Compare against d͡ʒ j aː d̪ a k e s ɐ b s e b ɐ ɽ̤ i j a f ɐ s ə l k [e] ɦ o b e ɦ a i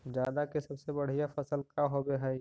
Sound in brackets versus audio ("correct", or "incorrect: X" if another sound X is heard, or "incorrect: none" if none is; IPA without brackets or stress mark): incorrect: a